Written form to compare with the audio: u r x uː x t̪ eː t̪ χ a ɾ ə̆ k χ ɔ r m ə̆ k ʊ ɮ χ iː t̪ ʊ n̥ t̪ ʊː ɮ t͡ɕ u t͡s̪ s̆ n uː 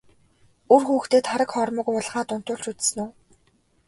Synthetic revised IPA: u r x uː x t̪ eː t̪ χ a ɾ ə̆ k χ ɔ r m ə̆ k ʊ ɮ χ aː t̪ ʊ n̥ t̪ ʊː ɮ t͡ɕ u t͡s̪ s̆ n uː